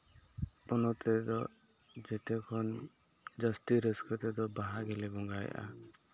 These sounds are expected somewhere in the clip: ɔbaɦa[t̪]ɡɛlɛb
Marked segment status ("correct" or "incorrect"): incorrect